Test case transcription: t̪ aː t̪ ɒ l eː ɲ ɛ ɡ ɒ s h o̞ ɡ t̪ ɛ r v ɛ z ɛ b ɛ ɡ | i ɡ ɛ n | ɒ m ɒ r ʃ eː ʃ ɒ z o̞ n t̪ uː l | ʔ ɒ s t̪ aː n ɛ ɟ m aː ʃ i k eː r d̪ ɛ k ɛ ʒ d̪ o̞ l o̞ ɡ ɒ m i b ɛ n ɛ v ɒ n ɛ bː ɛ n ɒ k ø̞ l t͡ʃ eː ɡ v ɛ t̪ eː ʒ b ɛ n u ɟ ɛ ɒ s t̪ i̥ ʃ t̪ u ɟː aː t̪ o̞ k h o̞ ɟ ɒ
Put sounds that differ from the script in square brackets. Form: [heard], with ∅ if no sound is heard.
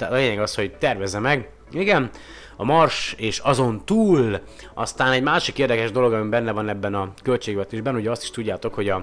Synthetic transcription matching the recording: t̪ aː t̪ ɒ l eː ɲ ɛ ɡ ɒ s h o̞ [ɟ] t̪ ɛ r v ɛ z ɛ [m] ɛ ɡ | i ɡ ɛ n | ɒ m ɒ r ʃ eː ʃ ɒ z o̞ n t̪ uː l | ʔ ɒ s t̪ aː n ɛ ɟ m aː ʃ i k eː r d̪ ɛ k ɛ ʒ d̪ o̞ l o̞ ɡ ɒ m i b ɛ [nː] ɛ v ɒ n ɛ bː ɛ n ɒ k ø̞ l t͡ʃ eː ɡ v ɛ t̪ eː ʒ b ɛ n u ɟ ɛ ɒ s t̪ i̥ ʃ t̪ u ɟː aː t̪ o̞ k h o̞ ɟ ɒ